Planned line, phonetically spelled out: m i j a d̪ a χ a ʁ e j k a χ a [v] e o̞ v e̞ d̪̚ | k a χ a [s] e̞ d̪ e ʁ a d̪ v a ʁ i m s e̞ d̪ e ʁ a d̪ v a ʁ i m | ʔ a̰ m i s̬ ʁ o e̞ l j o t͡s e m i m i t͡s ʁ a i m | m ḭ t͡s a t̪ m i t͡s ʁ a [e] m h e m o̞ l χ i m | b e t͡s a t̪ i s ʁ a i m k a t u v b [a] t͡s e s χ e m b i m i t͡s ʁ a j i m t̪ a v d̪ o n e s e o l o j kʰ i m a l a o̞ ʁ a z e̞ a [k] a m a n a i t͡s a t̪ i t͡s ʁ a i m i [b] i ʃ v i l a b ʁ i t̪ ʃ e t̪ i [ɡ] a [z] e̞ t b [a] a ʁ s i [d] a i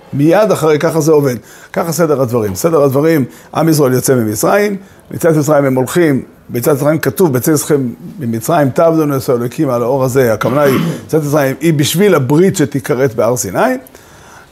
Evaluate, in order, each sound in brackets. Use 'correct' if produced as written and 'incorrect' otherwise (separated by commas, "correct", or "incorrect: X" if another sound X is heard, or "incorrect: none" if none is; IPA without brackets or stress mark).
incorrect: z, correct, incorrect: i, incorrect: e, correct, correct, incorrect: k, incorrect: ʁ, incorrect: e, incorrect: n